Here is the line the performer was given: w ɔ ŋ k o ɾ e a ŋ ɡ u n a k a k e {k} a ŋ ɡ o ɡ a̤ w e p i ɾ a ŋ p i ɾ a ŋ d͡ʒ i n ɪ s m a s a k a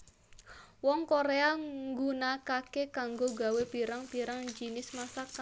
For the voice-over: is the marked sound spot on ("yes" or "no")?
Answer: yes